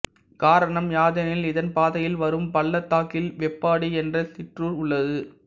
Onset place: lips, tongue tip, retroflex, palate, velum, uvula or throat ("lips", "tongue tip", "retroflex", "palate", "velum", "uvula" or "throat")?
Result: velum